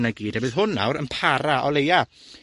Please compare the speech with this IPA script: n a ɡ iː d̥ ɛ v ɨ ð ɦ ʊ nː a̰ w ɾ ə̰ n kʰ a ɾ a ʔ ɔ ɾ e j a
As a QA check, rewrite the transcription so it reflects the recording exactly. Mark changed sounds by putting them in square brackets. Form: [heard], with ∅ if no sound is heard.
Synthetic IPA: n a ɡ iː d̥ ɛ [b] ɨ ð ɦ ʊ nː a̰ w ɾ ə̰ n [pʰ] a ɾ a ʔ ɔ [l] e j a